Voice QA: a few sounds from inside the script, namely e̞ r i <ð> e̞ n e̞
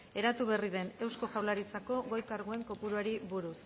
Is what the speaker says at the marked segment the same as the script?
yes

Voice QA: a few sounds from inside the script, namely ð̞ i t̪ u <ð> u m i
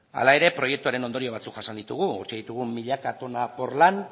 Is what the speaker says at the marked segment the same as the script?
no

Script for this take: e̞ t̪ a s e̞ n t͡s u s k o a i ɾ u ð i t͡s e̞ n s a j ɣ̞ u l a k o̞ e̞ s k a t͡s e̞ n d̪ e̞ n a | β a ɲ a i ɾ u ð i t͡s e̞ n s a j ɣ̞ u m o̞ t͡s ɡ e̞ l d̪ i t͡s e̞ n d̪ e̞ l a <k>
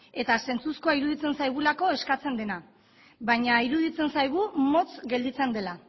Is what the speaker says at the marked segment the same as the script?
no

